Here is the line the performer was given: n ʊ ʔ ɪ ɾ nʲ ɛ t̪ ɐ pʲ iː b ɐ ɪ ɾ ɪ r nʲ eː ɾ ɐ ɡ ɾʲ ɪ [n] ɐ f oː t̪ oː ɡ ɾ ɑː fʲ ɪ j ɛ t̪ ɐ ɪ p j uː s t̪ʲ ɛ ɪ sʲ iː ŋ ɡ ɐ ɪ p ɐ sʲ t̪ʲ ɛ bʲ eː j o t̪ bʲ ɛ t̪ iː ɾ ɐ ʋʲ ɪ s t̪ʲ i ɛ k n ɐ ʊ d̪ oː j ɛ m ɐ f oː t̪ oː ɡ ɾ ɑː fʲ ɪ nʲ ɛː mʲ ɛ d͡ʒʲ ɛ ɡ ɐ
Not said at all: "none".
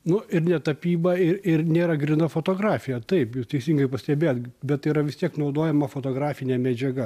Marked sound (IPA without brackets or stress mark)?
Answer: n